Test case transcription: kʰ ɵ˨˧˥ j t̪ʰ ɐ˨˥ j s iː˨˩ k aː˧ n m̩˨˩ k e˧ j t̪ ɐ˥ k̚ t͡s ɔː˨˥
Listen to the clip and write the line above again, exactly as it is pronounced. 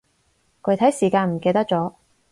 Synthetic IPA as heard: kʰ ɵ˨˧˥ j t̪ʰ ɐ˨˥ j s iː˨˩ k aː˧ n m̩˨˩ k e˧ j t̪ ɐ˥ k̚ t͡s ɔː˨˥